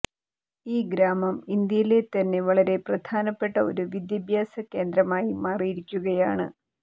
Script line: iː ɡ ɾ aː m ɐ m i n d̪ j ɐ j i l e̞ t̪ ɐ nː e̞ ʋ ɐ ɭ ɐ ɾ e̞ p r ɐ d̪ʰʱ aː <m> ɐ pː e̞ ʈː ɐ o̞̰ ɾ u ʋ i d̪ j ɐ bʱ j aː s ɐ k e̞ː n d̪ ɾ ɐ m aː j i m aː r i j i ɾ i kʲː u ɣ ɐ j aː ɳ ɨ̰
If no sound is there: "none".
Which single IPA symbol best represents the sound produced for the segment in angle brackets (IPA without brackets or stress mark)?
n